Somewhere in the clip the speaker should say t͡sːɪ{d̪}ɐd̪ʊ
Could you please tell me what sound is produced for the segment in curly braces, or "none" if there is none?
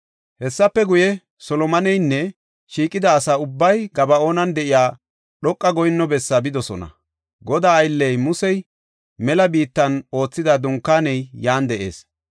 d̪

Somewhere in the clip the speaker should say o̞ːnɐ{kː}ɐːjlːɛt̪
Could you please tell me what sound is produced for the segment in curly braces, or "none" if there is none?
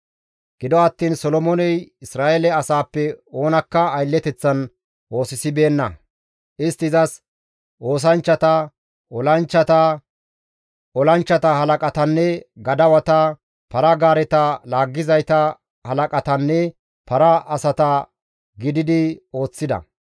kː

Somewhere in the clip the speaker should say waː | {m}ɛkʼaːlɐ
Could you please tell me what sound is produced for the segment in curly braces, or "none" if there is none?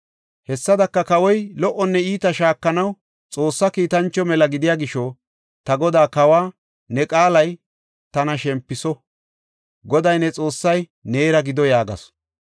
n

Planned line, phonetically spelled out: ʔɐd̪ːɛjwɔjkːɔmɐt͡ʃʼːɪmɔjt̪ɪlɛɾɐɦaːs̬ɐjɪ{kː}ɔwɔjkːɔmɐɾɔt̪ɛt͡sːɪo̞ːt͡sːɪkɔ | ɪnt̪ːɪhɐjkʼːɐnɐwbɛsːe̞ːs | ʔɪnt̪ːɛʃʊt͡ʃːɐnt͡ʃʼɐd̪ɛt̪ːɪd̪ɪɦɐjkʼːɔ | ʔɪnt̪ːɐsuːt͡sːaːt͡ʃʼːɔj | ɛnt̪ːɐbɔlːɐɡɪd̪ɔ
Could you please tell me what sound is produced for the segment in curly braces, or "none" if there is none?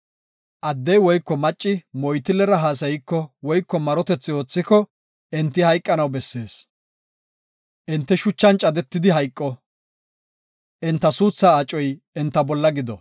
kː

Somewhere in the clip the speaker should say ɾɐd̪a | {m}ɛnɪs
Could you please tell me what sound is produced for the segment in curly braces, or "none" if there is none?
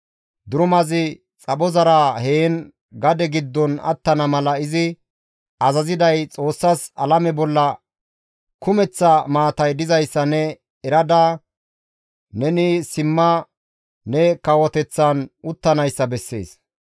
n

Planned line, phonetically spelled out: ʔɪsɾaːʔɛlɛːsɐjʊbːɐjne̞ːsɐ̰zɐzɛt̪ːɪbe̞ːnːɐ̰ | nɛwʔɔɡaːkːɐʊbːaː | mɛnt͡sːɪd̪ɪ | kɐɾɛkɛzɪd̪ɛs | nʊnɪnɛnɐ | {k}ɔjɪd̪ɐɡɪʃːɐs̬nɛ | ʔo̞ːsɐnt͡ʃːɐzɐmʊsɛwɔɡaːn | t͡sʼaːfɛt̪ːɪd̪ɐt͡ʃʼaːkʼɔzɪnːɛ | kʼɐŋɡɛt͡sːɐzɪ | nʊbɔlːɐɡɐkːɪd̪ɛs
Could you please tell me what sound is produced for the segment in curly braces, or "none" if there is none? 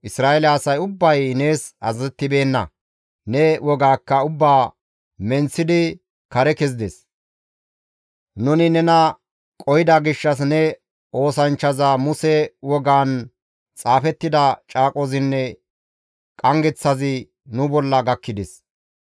kʼ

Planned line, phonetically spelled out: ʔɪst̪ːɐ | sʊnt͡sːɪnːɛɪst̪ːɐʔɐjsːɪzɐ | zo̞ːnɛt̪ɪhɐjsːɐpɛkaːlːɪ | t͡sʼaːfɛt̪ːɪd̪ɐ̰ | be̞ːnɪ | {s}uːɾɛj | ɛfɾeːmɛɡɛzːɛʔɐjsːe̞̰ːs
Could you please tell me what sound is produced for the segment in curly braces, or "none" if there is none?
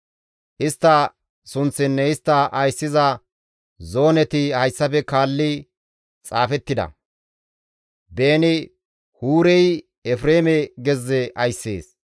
h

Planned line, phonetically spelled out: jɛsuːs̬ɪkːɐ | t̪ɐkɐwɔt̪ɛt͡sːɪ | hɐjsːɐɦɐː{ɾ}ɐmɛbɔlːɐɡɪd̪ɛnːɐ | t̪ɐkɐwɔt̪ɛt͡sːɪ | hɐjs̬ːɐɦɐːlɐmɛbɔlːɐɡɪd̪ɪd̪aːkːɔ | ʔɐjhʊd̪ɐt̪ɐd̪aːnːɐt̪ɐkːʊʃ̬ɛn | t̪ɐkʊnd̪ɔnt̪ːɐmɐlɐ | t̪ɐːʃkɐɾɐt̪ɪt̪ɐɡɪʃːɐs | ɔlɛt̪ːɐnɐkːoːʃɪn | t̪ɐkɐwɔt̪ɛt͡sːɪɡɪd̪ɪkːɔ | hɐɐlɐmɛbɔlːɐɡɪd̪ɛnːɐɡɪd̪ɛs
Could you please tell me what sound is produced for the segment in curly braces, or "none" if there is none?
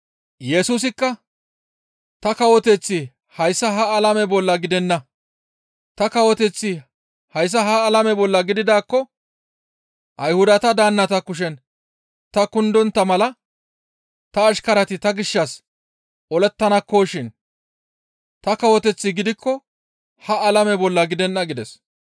l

